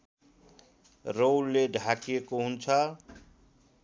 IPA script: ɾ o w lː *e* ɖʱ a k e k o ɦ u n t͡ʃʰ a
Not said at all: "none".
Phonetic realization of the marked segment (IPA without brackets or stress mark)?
e